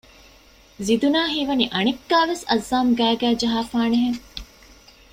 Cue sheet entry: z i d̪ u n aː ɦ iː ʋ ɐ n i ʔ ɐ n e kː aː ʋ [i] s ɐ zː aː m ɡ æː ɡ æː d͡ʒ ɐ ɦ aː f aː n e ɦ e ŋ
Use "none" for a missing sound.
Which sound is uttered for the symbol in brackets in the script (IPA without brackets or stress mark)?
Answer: e